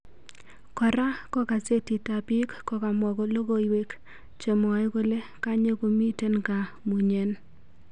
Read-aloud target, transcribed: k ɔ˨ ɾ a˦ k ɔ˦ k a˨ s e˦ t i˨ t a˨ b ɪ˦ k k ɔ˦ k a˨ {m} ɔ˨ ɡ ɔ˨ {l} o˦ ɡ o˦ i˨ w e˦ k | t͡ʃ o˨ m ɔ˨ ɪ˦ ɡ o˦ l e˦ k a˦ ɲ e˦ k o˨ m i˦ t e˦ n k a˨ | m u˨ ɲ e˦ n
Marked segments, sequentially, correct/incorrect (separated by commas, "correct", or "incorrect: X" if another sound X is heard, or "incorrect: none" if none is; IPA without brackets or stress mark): correct, correct